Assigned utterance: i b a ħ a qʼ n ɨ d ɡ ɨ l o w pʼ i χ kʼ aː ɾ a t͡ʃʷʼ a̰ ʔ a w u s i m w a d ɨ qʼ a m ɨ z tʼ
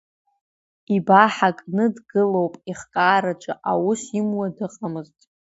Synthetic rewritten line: i b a ħ a kʼ n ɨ d ɡ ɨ l o w pʼ i χ kʼ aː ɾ a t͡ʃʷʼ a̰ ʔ a w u s i m w a d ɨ qʼ a m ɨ z tʼ